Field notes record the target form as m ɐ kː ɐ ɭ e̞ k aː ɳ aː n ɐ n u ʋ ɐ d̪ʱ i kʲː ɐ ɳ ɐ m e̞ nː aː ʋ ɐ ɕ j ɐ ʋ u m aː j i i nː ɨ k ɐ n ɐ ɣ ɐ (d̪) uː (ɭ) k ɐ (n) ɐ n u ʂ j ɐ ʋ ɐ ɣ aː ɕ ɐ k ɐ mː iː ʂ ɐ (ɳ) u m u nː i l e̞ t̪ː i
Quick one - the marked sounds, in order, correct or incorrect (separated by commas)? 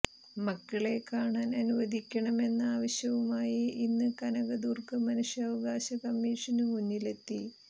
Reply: correct, incorrect, incorrect, incorrect